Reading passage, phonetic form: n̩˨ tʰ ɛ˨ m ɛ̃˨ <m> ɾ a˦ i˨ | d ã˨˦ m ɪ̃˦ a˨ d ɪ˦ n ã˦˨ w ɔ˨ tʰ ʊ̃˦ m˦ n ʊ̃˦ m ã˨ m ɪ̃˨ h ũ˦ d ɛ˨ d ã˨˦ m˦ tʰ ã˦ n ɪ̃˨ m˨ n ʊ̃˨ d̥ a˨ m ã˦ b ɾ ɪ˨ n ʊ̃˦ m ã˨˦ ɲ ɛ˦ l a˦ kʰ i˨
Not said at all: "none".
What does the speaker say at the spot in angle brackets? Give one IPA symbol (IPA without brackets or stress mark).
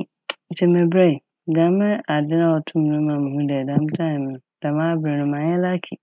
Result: b